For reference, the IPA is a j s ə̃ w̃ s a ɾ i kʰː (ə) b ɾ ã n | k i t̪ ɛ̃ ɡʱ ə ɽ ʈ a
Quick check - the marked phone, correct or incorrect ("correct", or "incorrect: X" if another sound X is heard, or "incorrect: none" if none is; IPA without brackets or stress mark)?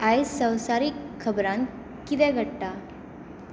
correct